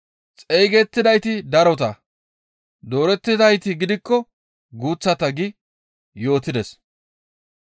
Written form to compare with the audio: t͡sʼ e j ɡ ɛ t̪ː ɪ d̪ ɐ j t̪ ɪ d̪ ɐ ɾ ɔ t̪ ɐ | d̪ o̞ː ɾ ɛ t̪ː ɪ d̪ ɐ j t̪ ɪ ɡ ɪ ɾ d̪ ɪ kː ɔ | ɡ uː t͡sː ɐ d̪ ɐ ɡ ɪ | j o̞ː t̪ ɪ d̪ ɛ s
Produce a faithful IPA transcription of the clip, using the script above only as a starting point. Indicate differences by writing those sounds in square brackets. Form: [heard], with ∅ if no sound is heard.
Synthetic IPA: t͡sʼ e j ɡ ɛ t̪ː ɪ d̪ ɐ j t̪ ɪ d̪ ɐ ɾ ɔ t̪ ɐ | d̪ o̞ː ɾ ɛ t̪ː ɪ d̪ ɐ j t̪ ɪ ɡ ɪ [∅] d̪ ɪ kː ɔ | ɡ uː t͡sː ɐ [t̪] ɐ ɡ ɪ | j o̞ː t̪ ɪ d̪ ɛ s